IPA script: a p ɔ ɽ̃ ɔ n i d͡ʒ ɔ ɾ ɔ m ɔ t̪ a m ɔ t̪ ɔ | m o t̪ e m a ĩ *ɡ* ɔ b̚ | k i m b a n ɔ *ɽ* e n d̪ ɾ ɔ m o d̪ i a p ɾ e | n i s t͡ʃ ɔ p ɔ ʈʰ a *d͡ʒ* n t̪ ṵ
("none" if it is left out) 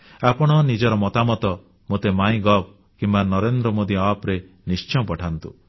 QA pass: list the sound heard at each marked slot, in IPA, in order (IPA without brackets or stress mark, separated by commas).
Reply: ɡ, ɾ, none